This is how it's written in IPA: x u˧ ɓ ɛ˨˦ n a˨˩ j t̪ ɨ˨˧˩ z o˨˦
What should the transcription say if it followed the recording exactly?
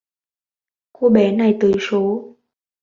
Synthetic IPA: k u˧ ɓ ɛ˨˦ n a˨˩ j t̪ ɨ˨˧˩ s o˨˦